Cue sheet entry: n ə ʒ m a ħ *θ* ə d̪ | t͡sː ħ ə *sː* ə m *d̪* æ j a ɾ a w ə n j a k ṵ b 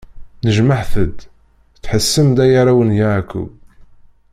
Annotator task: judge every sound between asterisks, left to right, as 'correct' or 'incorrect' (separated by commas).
correct, correct, correct